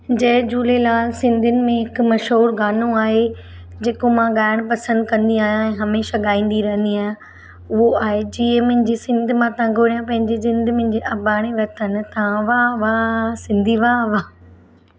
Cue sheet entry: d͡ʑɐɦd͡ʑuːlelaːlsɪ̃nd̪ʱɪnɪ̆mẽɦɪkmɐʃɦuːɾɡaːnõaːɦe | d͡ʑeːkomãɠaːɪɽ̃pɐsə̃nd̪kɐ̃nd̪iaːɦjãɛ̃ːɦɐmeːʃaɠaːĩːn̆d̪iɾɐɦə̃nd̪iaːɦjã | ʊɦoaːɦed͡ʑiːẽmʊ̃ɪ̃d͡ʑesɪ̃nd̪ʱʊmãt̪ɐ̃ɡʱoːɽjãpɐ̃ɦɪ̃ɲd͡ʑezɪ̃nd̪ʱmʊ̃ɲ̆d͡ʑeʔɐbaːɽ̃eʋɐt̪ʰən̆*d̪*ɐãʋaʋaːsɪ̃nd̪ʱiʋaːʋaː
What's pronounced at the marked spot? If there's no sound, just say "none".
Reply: t̪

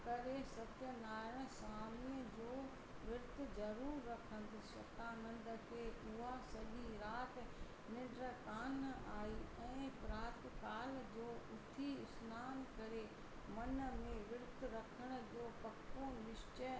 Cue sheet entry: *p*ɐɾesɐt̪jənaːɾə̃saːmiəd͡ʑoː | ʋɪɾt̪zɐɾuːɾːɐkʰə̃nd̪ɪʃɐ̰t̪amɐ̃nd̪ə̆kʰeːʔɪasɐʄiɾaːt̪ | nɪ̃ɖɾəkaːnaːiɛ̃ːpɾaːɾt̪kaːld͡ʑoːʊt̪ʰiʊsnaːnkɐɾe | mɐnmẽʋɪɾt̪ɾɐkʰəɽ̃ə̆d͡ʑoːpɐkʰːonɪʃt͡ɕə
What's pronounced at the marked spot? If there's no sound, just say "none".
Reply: k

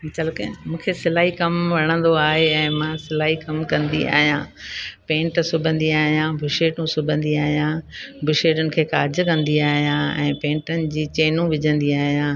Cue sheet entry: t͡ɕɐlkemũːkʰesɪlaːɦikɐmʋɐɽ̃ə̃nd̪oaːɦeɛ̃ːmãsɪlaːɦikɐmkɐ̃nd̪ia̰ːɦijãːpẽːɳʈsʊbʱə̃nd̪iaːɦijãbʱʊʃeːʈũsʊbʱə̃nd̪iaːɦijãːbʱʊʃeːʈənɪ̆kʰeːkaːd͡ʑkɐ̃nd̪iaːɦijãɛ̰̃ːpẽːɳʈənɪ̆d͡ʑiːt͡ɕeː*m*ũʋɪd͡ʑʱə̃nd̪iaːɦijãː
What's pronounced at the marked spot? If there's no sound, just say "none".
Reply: n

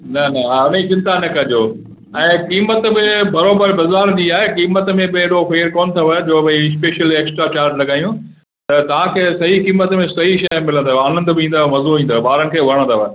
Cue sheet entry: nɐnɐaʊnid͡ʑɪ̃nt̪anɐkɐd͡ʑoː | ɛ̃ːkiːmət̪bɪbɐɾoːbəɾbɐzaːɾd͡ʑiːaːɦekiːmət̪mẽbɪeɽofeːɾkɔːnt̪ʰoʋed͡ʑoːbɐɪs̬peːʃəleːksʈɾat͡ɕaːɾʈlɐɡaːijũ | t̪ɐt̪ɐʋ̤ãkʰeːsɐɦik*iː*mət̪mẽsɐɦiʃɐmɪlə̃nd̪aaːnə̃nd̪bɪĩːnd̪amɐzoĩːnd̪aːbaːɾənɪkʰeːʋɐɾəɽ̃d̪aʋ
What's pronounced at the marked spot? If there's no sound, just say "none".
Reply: iː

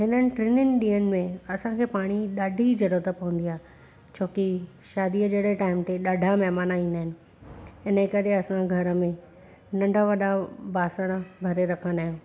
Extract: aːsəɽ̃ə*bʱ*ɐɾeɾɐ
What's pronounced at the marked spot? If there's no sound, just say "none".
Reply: bʱ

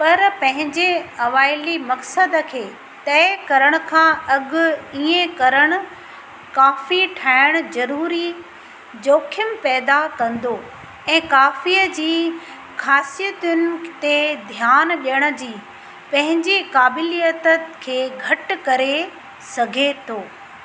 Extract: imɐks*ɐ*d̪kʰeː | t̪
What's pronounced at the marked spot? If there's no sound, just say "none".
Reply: ə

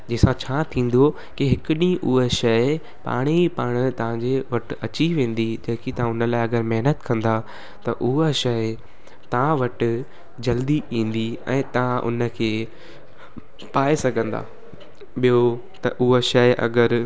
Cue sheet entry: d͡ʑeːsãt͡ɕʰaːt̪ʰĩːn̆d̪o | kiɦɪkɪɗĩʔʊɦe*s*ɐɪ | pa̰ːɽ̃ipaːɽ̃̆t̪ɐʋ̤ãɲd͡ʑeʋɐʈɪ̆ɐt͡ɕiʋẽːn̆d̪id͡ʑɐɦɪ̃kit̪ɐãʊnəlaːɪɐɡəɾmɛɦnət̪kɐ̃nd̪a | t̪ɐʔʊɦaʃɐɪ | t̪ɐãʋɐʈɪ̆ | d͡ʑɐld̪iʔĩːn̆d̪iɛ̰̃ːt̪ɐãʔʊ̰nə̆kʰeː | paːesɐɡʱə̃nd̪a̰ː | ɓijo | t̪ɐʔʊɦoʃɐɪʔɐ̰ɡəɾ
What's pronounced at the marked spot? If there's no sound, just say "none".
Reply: ʃ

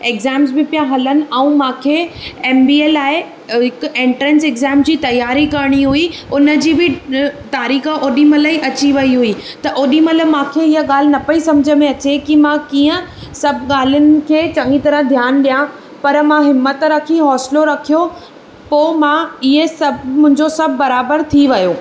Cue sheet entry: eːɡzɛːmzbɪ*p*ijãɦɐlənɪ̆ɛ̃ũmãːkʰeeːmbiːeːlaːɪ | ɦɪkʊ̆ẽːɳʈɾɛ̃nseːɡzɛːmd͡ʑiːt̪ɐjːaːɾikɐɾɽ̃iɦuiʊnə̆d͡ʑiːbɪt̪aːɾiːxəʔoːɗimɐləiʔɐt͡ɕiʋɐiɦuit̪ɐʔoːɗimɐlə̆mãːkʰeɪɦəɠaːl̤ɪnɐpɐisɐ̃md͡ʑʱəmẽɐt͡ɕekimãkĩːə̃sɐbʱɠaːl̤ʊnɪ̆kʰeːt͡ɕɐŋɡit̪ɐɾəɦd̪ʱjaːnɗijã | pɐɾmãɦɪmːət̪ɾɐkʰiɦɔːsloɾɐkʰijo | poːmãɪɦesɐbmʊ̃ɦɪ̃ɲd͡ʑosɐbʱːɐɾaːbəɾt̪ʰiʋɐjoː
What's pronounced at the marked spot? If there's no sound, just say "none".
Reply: p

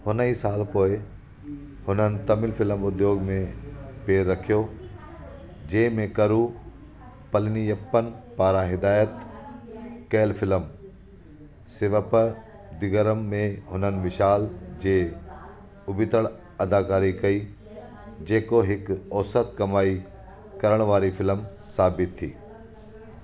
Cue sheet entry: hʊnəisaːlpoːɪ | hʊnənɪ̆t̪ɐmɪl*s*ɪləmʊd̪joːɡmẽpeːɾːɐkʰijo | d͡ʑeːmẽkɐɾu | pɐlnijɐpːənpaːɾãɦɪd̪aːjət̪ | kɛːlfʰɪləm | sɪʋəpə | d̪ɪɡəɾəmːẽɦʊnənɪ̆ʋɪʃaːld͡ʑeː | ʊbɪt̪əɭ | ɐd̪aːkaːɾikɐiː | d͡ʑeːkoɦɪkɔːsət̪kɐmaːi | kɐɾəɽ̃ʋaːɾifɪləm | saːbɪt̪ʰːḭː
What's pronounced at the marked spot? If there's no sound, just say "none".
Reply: f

